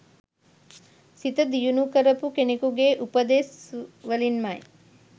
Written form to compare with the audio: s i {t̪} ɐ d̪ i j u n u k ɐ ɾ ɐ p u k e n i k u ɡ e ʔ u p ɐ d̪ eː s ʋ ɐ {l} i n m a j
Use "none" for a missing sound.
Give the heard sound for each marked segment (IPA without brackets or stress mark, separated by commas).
t̪, l